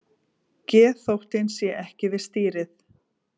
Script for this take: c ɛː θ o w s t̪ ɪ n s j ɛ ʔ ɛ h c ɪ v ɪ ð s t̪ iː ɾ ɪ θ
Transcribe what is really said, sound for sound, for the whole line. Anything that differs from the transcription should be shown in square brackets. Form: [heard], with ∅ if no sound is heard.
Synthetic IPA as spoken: c ɛː θ o w [h] t̪ ɪ n s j ɛ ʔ ɛ h c ɪ v ɪ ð s t̪ iː ɾ ɪ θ